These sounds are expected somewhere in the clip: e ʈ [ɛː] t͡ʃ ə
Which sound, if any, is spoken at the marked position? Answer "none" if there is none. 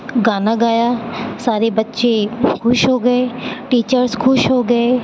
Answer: iː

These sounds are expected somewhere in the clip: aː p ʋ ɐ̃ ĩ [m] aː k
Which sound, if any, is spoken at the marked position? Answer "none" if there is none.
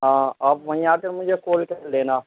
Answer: none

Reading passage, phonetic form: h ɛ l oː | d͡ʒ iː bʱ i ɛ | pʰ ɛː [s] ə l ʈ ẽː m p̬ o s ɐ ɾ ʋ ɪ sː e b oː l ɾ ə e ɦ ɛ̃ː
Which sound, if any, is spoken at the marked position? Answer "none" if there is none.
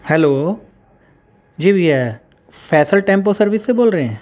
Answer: s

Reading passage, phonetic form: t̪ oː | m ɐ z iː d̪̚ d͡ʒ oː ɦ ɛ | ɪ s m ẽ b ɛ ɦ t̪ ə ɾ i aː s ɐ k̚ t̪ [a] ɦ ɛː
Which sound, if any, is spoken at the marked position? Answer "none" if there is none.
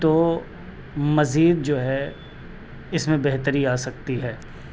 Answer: i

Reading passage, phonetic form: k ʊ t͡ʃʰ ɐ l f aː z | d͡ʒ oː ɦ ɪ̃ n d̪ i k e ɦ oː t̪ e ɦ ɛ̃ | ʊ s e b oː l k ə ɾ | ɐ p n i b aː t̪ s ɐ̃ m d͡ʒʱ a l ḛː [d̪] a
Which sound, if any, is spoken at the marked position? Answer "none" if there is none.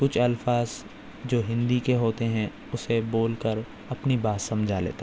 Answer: t̪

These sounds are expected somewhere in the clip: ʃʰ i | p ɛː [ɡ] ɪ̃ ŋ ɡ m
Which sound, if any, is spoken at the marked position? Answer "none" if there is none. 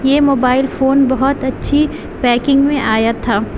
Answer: k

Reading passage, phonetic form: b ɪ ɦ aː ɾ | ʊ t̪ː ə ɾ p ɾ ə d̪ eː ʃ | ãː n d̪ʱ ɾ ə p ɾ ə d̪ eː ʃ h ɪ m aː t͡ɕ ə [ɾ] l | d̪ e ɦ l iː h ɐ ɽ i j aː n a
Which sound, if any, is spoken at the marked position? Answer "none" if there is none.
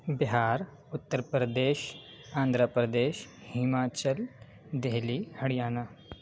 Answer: none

